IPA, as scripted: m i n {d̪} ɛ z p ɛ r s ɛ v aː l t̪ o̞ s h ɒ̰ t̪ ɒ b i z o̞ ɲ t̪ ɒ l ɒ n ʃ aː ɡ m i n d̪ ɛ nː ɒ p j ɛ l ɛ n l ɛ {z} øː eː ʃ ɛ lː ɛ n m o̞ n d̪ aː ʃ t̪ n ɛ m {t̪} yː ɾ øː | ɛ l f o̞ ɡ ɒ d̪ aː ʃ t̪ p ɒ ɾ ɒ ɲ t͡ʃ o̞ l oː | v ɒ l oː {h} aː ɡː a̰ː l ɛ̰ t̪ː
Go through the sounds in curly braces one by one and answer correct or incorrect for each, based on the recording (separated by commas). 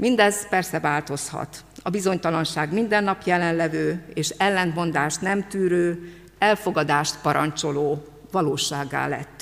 correct, incorrect, correct, incorrect